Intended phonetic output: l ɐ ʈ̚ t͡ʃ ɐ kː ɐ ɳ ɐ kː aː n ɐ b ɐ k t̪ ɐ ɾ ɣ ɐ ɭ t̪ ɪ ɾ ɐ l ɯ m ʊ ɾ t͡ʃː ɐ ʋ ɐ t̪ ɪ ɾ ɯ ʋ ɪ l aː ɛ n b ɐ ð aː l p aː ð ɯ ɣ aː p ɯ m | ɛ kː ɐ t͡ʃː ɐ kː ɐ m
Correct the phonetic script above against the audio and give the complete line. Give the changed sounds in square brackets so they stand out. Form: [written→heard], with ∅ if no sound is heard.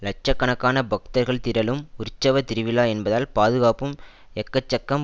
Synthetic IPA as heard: l ɐ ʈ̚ t͡ʃ ɐ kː ɐ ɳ ɐ kː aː n ɐ b ɐ k t̪ ɐ ɾ ɣ ɐ ɭ t̪ ɪ ɾ ɐ l ɯ m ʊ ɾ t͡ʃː ɐ ʋ ɐ t̪ ɪ ɾ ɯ ʋ ɪ l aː ɛ n b ɐ ð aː l p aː ð ɯ ɣ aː p ɯ m | ɛ kː ɐ t͡ʃː ɐ kː ɐ m